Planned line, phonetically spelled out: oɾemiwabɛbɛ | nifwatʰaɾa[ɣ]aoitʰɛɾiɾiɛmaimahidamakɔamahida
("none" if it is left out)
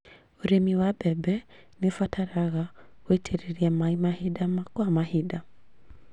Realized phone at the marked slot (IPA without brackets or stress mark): ɣ